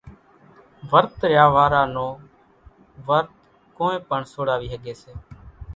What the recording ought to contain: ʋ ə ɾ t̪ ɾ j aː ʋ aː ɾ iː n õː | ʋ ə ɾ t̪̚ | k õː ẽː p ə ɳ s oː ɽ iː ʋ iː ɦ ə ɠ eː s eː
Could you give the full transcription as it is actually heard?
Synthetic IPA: ʋ ə ɾ t̪ ɾ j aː ʋ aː ɾ aː n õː | ʋ ə ɾ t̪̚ | k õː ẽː p ə ɳ s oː ɽ aː ʋ iː ɦ ə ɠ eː s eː